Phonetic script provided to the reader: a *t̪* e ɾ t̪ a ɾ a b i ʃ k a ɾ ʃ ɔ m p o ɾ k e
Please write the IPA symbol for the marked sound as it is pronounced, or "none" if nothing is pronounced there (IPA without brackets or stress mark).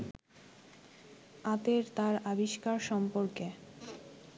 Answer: t̪